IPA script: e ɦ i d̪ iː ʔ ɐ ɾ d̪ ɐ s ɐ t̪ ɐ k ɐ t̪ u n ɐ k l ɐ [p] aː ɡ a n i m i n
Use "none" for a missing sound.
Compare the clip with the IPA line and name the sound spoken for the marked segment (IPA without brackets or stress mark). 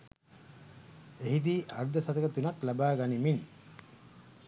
b